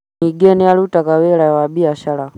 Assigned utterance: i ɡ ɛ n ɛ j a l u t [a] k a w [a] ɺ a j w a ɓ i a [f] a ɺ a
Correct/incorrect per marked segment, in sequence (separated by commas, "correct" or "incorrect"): correct, incorrect, incorrect